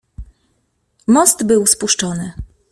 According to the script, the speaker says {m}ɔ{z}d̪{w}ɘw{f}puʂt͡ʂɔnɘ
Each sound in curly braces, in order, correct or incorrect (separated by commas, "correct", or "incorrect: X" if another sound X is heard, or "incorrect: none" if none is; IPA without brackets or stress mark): correct, incorrect: s, incorrect: b, incorrect: s